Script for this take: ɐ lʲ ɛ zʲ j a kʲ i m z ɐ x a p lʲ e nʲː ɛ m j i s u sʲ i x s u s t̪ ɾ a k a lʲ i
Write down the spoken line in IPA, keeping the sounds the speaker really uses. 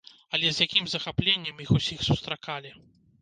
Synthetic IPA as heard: ɐ lʲ ɛ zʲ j a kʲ i m z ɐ x a p lʲ e nʲː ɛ m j i x u sʲ i x s u s t̪ ɾ a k a lʲ i